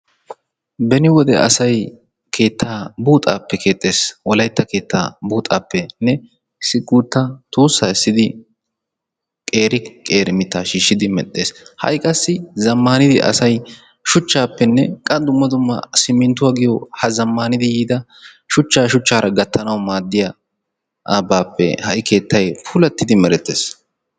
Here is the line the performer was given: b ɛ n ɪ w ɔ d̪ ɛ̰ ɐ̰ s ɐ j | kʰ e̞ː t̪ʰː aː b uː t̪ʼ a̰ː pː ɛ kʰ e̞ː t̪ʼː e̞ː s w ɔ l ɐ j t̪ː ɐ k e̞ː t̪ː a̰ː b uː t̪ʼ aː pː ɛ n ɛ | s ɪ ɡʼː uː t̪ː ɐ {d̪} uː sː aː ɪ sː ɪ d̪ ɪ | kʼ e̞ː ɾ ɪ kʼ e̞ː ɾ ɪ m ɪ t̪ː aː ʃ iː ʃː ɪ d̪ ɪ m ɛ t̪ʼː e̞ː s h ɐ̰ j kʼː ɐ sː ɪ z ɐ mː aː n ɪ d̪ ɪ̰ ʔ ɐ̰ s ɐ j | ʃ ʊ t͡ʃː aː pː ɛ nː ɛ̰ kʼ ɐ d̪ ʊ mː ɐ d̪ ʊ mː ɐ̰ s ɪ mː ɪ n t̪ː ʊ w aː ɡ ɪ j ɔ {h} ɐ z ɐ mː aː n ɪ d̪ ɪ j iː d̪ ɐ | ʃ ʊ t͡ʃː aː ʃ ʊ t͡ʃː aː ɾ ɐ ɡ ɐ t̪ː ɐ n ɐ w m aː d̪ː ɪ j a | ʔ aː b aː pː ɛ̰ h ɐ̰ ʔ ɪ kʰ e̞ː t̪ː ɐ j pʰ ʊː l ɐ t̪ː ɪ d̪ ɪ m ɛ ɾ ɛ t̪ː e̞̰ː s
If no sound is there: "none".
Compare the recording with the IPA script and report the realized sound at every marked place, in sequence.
t̪, h

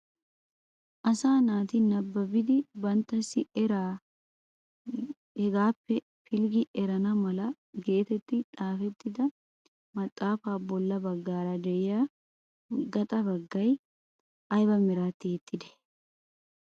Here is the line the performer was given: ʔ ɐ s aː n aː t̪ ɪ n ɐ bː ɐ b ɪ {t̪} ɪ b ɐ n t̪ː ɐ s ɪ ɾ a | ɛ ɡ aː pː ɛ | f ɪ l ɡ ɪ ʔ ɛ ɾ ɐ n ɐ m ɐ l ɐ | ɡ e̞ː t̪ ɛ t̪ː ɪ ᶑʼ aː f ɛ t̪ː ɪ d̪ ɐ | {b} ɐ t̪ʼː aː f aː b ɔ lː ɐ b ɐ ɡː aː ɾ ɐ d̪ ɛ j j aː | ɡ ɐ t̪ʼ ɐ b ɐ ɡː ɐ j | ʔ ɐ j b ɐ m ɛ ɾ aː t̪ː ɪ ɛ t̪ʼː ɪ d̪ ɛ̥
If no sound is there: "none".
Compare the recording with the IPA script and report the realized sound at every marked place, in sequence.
d̪, m

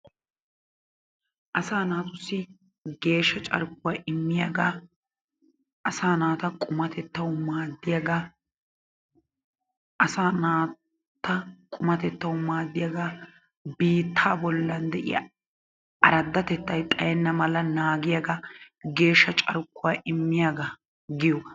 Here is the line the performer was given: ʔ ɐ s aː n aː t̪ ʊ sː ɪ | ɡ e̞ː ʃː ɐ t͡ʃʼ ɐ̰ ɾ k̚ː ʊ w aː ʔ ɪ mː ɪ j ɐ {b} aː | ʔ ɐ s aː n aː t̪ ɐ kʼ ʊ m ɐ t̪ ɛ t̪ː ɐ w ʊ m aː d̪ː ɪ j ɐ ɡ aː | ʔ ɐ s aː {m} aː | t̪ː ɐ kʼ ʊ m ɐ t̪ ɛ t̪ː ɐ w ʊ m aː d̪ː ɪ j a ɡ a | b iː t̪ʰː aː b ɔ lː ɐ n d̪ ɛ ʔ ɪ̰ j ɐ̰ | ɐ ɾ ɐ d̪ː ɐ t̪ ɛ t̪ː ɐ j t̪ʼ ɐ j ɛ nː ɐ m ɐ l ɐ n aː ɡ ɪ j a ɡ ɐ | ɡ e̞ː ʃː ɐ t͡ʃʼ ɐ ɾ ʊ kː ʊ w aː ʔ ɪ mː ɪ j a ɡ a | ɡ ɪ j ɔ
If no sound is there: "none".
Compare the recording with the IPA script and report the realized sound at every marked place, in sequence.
ɡ, n

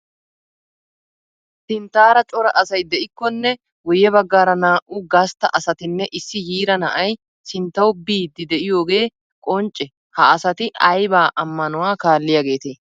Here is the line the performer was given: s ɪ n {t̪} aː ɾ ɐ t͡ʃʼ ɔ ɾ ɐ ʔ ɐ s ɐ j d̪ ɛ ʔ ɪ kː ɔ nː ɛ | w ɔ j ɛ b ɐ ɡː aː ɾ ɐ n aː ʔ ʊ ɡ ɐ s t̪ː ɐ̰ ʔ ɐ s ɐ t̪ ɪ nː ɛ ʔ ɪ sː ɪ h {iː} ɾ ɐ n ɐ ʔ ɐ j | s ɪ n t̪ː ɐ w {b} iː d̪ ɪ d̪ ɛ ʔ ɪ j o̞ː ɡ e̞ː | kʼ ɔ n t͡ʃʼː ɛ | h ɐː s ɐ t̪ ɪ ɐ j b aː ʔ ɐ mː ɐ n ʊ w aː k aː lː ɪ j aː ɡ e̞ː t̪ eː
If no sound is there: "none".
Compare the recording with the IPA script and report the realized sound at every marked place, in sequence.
t̪, iː, b

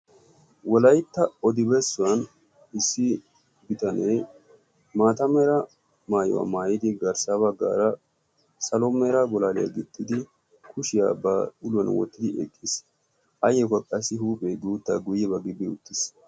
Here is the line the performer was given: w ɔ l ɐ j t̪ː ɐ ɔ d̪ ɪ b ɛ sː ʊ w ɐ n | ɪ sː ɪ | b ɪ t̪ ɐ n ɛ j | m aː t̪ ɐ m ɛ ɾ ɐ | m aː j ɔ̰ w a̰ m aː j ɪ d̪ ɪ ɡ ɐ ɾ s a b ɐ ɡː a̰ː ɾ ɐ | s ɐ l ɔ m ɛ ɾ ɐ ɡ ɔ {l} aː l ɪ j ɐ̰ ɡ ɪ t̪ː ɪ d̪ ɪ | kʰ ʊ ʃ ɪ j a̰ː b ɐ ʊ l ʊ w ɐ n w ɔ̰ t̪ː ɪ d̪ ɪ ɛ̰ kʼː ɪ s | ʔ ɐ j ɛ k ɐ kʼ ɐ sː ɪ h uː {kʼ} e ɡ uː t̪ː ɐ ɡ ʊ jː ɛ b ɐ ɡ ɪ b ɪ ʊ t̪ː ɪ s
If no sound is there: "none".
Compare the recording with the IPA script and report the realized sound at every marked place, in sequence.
l, pʼ

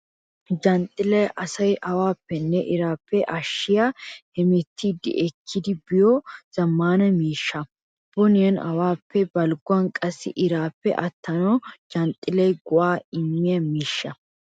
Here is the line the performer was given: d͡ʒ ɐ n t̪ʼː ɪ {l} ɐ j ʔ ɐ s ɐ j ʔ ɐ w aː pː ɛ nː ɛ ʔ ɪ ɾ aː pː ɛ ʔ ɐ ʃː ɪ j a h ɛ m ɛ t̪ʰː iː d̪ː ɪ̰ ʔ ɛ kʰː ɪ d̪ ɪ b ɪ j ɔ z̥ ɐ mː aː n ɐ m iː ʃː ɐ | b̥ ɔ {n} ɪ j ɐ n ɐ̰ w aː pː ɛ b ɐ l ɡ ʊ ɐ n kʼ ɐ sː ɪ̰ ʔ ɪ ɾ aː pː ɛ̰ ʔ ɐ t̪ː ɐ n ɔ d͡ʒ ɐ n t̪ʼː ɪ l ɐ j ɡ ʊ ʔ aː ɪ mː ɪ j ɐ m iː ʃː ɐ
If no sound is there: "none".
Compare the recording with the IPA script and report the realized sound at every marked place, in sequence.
l, n

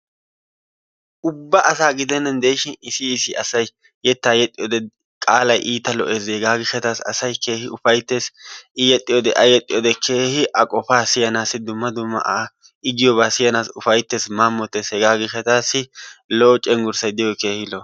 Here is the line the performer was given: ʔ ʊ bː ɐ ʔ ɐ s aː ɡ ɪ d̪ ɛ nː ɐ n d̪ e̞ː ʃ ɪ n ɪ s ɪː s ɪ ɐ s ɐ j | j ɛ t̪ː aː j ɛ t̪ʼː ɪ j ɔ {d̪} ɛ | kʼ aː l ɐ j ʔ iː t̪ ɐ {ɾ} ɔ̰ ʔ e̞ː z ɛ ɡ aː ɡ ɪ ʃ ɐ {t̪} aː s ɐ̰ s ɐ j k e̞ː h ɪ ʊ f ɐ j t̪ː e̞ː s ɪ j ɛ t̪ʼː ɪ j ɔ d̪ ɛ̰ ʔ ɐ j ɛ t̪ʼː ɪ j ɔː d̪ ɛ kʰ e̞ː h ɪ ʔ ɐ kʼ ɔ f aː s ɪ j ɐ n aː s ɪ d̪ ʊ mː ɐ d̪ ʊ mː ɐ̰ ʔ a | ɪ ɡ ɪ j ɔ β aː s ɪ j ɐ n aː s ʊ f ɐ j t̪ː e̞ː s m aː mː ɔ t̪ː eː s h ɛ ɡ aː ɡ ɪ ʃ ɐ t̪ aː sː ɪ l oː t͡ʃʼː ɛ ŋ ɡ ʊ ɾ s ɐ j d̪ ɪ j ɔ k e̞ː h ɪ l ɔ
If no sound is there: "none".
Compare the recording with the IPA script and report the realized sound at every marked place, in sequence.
d̪, l, t̪

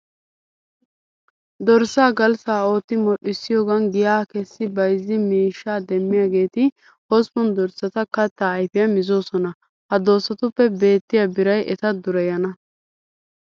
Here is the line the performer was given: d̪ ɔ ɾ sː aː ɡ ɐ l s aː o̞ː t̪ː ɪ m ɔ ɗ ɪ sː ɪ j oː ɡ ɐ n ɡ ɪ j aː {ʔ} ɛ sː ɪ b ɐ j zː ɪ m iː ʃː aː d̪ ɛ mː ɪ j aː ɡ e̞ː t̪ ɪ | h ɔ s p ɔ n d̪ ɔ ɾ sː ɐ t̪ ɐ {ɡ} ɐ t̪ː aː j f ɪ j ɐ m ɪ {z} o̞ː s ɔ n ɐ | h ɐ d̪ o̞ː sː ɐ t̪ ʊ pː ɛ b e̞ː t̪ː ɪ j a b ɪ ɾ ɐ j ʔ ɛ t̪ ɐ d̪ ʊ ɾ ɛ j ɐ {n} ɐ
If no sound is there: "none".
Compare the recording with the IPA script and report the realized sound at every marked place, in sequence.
k, k, z, n

